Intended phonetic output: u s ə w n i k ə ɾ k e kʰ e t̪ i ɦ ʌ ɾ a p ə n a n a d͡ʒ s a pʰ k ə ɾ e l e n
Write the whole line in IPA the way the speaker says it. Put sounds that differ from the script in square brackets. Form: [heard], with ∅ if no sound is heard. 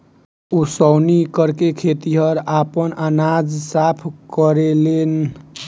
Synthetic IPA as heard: u s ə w n i k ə ɾ k e kʰ e t̪ i ɦ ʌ ɾ a p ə n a n a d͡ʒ s a pʰ k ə ɾ e l e n